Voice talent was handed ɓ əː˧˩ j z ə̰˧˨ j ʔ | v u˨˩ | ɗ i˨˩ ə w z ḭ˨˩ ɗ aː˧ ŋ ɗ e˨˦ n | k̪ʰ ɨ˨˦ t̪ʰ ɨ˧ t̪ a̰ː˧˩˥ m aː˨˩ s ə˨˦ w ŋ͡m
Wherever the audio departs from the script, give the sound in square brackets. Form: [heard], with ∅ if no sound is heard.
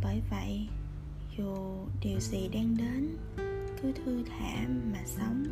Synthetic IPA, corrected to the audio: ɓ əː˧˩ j [v] ə̰˧˨ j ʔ | [z] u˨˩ | ɗ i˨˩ ə w z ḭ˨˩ ɗ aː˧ ŋ ɗ e˨˦ n | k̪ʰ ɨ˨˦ t̪ʰ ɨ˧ [t̪ʰ] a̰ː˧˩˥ m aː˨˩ s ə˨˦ w ŋ͡m